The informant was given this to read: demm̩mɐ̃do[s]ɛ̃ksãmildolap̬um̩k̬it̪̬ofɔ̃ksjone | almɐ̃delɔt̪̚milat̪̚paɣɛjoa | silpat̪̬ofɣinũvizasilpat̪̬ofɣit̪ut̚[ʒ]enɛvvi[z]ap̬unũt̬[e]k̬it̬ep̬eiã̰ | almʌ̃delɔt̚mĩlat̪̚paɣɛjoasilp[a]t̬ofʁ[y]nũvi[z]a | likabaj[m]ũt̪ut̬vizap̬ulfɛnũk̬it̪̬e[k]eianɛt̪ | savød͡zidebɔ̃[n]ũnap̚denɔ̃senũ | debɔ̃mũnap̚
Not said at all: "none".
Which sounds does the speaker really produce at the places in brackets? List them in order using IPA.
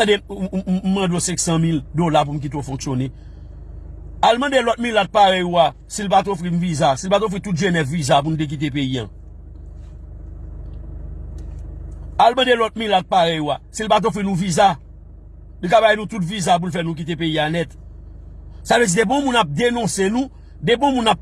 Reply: s, ʒ, z, e, a, i, z, n, p, m

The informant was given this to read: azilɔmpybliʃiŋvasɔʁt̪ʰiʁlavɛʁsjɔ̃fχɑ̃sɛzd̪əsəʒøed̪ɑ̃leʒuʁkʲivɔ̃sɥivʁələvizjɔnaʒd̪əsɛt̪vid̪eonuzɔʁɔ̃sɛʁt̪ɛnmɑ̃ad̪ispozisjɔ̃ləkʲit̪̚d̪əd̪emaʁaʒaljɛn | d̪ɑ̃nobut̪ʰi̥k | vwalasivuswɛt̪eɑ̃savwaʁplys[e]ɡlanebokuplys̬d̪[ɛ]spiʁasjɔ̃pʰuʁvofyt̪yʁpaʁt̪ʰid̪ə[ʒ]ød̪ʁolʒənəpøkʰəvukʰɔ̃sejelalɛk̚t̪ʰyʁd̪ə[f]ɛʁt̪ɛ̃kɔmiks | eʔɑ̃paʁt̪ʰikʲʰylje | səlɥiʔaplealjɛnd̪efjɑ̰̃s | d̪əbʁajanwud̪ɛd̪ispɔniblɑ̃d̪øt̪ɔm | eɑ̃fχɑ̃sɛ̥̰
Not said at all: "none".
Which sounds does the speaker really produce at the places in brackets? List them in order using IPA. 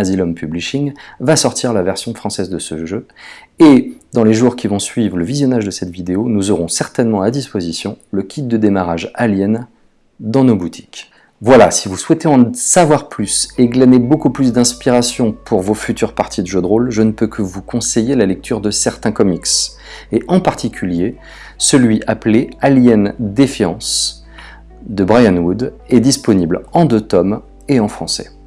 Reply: e, ɛ̃, ʒ, s

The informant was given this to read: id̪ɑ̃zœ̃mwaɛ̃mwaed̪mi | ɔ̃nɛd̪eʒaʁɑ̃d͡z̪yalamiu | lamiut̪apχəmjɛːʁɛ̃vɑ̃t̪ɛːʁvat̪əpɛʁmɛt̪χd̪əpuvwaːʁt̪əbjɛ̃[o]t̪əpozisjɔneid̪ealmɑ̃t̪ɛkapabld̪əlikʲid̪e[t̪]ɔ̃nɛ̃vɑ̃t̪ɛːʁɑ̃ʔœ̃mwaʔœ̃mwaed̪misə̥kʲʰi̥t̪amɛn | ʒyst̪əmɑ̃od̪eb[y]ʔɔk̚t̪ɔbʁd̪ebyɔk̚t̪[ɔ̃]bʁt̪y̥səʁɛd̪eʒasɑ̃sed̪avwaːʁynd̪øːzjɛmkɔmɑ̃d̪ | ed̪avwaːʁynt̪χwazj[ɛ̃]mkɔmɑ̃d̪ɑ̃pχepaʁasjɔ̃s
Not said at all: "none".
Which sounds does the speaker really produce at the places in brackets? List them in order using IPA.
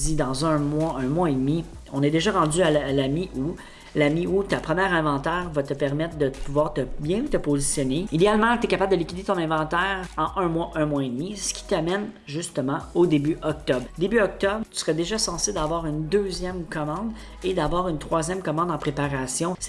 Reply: u, t̪, y, ɔ, ɛ

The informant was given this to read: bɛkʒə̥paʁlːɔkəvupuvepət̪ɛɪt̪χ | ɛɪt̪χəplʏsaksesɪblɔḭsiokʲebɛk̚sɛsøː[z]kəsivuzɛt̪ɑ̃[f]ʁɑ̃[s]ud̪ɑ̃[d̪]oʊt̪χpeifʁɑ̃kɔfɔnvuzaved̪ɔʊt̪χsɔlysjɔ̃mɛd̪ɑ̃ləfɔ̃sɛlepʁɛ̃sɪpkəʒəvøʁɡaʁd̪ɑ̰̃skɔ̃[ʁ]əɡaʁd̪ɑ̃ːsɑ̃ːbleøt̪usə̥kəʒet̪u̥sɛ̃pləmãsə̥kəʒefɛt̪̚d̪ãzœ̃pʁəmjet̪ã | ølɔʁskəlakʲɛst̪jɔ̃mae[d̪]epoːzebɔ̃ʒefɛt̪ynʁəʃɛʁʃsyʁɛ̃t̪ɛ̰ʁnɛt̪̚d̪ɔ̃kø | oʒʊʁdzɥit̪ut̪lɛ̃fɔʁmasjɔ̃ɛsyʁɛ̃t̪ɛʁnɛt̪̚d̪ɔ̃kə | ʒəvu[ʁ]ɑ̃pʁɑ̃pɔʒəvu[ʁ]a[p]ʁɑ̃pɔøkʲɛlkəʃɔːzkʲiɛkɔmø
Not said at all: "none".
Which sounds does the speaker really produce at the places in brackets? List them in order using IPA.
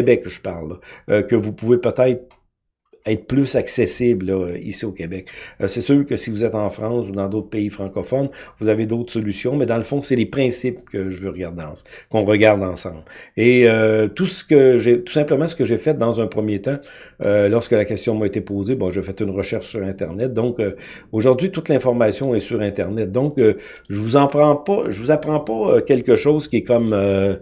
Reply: ʁ, f, s, d̪, ʁ, t̪, z, z, p

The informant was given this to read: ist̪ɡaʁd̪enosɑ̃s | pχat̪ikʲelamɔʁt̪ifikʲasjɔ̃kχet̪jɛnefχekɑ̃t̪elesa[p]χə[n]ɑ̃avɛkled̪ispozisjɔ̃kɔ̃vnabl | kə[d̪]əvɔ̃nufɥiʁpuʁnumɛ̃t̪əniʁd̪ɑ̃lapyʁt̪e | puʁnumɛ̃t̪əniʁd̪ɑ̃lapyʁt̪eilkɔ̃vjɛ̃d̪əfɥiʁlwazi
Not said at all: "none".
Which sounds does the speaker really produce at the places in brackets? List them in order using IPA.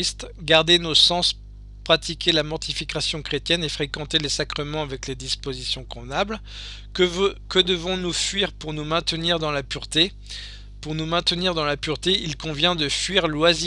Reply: k, m, d̪

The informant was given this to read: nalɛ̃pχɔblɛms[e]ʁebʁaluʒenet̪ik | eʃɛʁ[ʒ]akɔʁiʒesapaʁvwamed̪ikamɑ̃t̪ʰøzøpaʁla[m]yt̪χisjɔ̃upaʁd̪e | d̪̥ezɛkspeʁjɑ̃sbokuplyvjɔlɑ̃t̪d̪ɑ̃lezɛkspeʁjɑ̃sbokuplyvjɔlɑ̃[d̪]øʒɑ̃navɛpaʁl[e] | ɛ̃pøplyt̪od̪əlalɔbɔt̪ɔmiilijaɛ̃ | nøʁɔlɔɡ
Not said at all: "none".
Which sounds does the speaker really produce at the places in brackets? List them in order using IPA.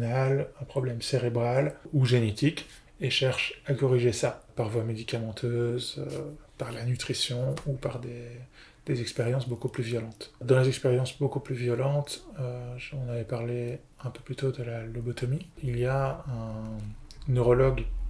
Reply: e, ʃ, n, t̪, e

